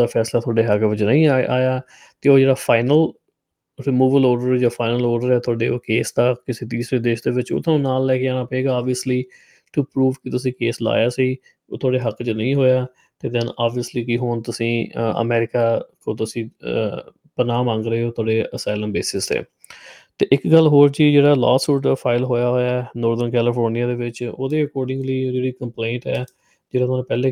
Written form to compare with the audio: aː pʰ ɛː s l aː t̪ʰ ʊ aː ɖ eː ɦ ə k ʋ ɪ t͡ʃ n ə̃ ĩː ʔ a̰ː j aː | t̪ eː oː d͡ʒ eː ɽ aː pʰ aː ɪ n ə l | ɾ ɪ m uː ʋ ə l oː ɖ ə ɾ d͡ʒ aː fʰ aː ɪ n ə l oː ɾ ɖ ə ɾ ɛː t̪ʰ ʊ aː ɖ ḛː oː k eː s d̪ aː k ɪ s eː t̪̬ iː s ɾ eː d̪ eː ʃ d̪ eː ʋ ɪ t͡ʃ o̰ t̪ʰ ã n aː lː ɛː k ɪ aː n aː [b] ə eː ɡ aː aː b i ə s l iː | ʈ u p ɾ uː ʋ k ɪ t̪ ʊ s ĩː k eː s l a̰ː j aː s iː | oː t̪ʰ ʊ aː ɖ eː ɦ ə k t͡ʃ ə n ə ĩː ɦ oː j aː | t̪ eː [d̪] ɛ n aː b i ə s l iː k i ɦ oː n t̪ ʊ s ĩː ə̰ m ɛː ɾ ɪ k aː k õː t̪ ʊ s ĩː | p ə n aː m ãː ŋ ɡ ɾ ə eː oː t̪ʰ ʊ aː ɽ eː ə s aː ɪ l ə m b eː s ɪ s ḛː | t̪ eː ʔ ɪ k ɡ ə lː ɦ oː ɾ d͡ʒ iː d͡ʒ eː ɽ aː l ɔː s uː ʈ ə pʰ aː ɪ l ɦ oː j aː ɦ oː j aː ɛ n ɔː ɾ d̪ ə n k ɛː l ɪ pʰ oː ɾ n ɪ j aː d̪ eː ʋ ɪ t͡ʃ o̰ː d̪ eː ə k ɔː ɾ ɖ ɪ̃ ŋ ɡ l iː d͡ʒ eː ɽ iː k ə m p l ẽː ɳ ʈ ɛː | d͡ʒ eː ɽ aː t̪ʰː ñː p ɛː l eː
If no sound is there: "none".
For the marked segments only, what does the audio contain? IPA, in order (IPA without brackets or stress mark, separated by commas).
p, d̪